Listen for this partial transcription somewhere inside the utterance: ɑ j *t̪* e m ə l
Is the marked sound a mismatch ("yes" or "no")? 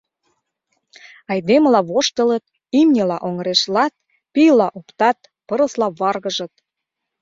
yes